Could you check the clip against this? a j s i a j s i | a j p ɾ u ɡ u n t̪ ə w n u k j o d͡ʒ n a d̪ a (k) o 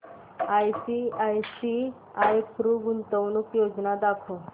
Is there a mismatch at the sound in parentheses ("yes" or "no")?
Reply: yes